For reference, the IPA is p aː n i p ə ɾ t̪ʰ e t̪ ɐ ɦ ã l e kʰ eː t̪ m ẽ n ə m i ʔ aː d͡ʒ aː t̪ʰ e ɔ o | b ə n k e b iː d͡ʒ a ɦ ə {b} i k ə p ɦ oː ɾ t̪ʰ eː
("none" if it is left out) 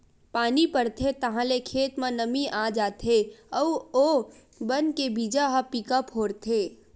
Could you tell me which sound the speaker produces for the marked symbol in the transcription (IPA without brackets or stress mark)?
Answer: p